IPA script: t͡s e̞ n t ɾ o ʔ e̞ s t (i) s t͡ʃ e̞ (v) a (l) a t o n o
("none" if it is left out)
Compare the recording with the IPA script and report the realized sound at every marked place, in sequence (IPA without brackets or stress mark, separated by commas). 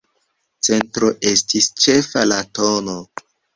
i, f, l